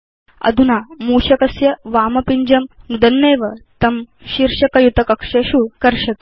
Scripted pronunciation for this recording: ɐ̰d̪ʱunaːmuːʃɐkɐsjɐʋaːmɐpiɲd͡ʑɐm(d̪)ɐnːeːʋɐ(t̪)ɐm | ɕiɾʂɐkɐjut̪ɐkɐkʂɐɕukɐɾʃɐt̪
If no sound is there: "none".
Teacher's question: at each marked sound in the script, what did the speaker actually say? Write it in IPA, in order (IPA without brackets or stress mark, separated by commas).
d̪, t̪